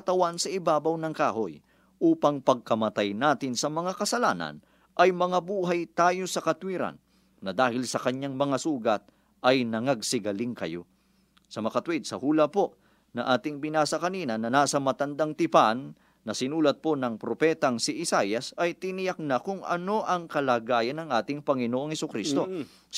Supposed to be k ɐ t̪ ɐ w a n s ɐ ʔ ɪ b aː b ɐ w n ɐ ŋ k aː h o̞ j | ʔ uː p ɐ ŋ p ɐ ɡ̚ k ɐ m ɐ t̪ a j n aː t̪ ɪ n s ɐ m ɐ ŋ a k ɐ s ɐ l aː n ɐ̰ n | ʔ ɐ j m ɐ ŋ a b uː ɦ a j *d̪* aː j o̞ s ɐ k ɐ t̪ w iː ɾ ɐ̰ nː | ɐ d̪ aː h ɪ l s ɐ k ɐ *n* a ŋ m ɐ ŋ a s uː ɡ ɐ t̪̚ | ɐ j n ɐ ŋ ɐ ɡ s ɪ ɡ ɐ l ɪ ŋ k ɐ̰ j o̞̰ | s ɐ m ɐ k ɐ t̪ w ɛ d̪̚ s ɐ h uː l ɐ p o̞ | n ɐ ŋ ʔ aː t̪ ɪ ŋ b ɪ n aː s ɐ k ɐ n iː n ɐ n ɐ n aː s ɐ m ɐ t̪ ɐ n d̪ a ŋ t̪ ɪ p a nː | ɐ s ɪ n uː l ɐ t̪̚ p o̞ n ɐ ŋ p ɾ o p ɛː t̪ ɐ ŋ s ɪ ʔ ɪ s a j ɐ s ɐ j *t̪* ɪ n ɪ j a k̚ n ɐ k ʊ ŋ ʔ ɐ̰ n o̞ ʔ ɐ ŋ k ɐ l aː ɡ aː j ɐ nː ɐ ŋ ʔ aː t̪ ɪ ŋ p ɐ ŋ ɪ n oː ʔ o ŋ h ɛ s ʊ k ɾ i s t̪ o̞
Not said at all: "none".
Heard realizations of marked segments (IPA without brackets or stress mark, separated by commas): t̪, ɲ, t̪